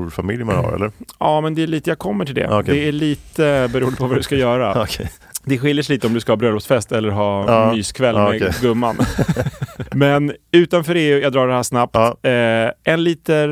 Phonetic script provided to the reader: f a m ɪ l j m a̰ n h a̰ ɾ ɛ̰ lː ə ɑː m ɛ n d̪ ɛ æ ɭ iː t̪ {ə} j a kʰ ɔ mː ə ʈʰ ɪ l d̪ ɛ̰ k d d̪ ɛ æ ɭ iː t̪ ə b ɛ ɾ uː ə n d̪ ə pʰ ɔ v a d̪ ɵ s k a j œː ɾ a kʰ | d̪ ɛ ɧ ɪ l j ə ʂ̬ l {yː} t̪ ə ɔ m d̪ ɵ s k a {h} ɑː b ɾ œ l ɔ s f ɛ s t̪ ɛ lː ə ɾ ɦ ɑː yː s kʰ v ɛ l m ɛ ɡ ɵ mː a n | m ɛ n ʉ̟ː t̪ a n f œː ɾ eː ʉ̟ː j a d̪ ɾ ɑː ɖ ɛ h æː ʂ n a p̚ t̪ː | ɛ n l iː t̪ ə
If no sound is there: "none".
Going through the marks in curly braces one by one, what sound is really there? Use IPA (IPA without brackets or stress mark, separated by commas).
ə, iː, h